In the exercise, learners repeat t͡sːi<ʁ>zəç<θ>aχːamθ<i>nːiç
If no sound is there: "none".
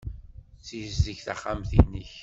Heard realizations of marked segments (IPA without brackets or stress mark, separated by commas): z, θ, i